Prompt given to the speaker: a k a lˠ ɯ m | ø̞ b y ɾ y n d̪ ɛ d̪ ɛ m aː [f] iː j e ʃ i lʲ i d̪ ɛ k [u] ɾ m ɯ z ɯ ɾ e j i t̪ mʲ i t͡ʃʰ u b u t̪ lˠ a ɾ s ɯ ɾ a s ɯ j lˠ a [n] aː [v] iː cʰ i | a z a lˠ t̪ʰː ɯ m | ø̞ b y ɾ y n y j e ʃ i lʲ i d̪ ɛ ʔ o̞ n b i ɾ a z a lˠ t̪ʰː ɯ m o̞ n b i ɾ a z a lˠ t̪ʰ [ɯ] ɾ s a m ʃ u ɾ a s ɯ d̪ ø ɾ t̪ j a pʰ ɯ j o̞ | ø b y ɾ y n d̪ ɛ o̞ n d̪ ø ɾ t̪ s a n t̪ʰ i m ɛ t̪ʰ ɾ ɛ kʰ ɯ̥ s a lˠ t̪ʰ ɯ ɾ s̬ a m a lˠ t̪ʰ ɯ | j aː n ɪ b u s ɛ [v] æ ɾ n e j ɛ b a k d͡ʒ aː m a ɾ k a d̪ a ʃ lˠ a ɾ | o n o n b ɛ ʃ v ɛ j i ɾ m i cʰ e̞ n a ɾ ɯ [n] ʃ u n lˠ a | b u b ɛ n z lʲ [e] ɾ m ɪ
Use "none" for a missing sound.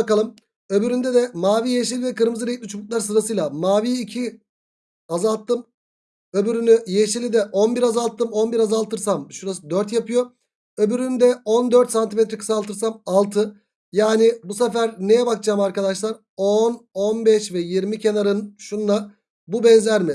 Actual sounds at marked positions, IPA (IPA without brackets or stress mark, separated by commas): v, ɯ, m, v, ɯ, f, n, æ